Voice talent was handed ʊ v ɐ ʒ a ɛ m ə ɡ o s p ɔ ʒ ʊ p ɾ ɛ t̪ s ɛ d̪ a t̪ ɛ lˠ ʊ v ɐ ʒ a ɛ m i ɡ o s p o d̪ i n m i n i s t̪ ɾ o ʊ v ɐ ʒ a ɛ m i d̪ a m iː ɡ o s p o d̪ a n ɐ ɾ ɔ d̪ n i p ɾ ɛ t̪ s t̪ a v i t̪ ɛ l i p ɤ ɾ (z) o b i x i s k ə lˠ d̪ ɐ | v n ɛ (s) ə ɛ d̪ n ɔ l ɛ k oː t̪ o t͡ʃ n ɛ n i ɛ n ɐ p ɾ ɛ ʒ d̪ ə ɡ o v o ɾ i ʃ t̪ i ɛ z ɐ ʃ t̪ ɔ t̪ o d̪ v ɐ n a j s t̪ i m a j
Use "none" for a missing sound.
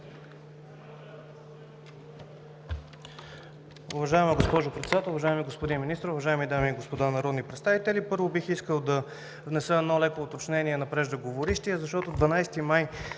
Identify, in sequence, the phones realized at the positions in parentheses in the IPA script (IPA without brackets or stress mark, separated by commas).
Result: v, s